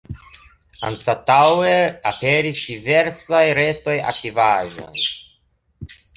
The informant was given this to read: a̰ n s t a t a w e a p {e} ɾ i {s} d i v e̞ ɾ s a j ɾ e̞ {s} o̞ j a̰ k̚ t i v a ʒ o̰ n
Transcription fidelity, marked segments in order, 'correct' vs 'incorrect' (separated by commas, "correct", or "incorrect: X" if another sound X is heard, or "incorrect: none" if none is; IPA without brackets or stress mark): correct, correct, incorrect: t